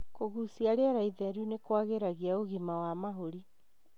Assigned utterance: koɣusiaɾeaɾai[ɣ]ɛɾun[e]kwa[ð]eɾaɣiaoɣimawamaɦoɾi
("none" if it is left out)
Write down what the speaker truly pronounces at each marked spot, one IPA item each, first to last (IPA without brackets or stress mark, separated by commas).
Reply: ð, e, ɣ